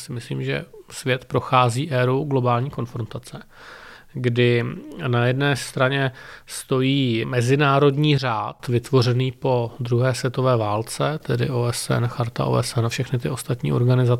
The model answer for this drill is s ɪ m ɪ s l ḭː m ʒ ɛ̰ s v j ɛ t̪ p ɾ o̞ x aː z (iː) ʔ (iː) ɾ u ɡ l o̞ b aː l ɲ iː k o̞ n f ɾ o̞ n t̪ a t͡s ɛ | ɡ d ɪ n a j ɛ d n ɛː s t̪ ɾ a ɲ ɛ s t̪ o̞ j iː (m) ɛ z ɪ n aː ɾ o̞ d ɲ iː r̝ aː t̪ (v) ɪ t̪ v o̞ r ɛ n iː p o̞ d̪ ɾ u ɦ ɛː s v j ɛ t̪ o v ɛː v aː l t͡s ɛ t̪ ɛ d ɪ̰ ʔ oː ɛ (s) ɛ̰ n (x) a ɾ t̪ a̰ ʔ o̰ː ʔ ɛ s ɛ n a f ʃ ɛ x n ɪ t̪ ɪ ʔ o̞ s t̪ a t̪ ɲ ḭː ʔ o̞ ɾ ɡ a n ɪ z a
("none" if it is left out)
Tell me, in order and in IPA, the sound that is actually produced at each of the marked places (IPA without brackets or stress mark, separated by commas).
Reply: iː, ɛː, m, v, s, x